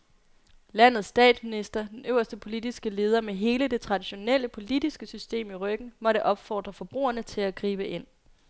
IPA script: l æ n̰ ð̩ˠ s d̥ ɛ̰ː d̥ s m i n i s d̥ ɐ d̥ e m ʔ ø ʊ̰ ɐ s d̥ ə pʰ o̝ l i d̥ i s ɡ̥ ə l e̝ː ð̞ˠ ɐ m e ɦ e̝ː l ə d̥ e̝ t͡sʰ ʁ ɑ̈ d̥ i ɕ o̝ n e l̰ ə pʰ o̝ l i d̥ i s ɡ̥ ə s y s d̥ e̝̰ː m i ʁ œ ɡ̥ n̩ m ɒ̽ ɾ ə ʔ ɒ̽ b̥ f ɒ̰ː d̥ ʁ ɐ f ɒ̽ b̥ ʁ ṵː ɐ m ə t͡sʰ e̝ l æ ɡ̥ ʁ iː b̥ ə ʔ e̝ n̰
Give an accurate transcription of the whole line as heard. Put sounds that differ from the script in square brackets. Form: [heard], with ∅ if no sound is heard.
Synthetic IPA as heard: l æ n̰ ð̩ˠ s d̥ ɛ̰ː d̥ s m i n i s d̥ ɐ d̥ e [n] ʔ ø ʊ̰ ɐ s d̥ ə pʰ o̝ l i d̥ i s ɡ̥ ə l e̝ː ð̞ˠ ɐ m e ɦ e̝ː l ə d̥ e̝ t͡sʰ ʁ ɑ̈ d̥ i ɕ o̝ n e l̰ ə pʰ o̝ l i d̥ i s ɡ̥ ə s y s d̥ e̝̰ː m i ʁ œ ɡ̥ n̩ m ɒ̽ ɾ ə ʔ ɒ̽ b̥ f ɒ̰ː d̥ ʁ ɐ f ɒ̽ b̥ ʁ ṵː ɐ [n] ə t͡sʰ e̝ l æ ɡ̥ ʁ iː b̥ ə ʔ e̝ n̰